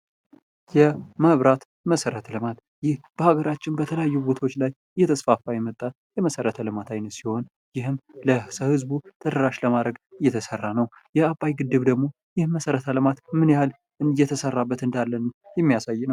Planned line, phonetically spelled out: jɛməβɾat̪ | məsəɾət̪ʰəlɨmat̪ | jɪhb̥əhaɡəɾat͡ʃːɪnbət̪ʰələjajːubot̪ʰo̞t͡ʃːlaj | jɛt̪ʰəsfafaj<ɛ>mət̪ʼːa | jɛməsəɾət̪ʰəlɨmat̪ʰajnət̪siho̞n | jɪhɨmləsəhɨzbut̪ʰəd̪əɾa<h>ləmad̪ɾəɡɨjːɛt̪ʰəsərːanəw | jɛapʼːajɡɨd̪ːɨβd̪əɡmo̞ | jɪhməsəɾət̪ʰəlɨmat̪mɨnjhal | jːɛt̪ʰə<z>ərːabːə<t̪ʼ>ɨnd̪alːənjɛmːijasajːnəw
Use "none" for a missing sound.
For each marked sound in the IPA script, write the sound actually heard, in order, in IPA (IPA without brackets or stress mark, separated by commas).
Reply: ɛ, ʃ, s, t̪